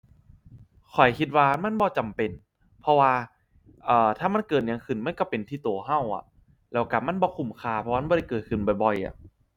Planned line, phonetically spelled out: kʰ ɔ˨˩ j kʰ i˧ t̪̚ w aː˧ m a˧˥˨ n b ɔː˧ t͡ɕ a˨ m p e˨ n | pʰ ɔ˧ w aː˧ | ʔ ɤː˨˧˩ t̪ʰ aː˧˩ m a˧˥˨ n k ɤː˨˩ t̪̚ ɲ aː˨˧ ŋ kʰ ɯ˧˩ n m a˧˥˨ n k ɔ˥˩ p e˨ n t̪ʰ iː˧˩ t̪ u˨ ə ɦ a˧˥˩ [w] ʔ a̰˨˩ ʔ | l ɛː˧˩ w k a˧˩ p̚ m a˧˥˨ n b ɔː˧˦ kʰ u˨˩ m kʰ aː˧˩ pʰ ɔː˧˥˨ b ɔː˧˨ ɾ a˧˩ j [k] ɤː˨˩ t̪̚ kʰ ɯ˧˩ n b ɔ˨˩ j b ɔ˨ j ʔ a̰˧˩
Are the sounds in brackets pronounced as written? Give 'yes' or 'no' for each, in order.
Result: yes, yes

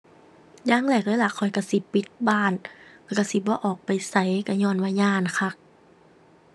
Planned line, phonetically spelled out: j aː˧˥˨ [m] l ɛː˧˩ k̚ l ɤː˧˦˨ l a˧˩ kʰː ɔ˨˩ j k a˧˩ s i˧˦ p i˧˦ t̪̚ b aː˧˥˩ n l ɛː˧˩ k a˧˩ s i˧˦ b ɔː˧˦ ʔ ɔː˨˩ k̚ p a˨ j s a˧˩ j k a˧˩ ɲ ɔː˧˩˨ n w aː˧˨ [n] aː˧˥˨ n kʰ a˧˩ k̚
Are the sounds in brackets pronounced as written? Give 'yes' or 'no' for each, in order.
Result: no, no

